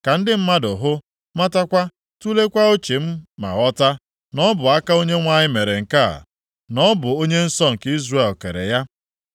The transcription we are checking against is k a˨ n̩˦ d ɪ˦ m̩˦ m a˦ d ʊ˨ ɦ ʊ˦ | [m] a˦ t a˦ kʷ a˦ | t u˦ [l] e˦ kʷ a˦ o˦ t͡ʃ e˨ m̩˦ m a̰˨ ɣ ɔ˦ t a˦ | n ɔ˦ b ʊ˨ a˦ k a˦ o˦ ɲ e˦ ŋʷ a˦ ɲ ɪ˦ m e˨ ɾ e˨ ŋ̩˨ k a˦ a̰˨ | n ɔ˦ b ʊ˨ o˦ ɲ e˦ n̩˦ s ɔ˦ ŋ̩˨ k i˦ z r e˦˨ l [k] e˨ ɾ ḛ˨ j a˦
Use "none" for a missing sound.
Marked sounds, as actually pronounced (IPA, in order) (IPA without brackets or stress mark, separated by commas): m, l, k